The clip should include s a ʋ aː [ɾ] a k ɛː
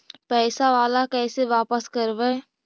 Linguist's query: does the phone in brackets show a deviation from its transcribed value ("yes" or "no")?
yes